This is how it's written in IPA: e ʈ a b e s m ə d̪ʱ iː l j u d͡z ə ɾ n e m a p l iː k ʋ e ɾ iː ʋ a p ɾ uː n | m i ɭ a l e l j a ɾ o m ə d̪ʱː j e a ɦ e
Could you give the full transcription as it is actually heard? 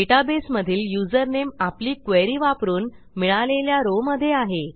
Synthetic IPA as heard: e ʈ a b e s m ə d̪ʱ iː l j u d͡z ə ɾ n e m a p l iː k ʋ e ɾ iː ʋ a p ɾ uː n | m i ɭ a l e l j a ɾ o m ə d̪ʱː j e a ɦ e